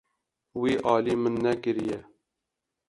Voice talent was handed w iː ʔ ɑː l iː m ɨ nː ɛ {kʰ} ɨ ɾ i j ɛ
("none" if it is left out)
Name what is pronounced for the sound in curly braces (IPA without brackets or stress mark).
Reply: k